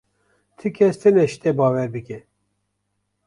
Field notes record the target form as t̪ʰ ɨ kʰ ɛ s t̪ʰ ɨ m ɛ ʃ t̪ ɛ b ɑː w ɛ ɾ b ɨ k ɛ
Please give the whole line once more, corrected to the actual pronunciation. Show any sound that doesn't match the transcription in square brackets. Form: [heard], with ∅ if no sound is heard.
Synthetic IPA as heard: t̪ʰ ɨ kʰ ɛ s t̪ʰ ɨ [n] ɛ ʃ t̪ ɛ b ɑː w ɛ ɾ b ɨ k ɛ